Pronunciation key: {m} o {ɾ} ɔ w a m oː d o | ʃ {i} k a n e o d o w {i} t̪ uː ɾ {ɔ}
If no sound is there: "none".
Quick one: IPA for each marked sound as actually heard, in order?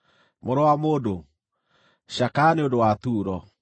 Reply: m, ɾ, a, a, ɔ

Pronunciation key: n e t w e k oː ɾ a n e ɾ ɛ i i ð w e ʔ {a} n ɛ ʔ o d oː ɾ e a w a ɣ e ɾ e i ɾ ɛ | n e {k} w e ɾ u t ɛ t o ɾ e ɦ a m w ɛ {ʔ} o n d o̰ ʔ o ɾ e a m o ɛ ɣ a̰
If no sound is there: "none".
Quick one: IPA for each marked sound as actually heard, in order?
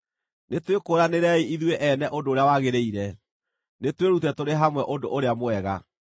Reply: ɛ, t, ʔ

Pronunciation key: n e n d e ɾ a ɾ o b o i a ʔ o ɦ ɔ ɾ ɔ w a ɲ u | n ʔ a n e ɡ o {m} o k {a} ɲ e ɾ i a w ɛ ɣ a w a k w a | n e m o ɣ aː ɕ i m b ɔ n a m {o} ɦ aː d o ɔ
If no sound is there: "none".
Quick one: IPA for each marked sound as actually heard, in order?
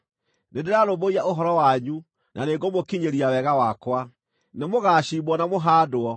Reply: m, i, o

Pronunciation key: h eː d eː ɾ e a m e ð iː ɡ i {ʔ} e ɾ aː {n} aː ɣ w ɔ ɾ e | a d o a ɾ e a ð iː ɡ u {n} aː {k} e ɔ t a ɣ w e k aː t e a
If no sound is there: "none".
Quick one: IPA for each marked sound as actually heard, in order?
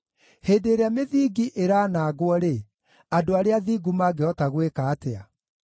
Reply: ʔ, n, m, ɡ

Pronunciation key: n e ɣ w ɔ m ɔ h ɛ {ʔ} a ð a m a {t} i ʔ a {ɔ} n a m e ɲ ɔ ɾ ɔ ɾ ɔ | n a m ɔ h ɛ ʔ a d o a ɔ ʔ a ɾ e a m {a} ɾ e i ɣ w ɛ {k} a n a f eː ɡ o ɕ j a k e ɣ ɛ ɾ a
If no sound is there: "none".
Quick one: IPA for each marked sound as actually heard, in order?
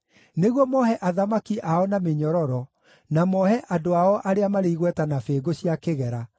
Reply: ʔ, k, ɔ, a, t

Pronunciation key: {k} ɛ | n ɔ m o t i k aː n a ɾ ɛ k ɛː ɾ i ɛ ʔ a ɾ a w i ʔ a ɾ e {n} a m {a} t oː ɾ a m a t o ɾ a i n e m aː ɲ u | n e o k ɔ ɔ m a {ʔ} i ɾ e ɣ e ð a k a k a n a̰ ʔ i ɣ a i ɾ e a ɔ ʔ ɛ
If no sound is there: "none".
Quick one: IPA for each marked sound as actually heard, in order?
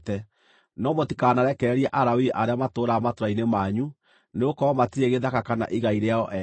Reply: t, none, a, t

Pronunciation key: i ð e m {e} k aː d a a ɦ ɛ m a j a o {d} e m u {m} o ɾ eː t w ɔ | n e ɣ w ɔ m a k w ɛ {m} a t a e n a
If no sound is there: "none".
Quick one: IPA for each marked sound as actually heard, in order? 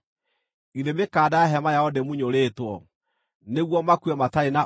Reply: e, d, ɲ, m

